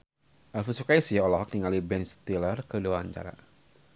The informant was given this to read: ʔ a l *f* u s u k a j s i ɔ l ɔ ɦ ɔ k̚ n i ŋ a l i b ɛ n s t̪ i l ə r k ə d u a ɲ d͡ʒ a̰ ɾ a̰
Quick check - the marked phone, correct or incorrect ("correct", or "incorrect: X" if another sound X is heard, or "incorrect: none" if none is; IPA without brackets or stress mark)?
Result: correct